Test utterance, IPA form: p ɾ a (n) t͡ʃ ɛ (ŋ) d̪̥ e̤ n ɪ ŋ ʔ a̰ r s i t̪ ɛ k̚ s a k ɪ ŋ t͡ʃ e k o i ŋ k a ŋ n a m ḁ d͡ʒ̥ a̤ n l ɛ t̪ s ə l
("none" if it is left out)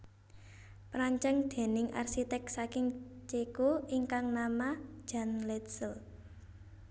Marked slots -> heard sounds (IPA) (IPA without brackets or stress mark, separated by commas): ɲ, ŋ